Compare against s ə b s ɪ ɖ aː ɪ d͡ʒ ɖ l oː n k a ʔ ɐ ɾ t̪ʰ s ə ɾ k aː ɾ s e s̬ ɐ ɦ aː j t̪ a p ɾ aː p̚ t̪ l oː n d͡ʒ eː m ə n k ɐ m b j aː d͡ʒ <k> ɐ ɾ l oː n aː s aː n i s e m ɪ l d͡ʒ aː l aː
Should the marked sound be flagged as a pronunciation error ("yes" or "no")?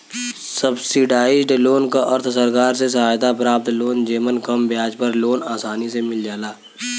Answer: yes